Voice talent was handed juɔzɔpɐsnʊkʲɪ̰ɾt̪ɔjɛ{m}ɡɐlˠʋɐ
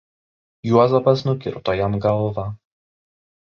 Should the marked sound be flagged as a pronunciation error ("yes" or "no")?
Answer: no